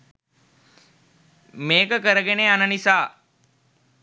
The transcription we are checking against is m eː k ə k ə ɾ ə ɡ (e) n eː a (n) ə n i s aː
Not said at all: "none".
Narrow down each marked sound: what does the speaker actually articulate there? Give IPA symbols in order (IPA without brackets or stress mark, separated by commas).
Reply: e, n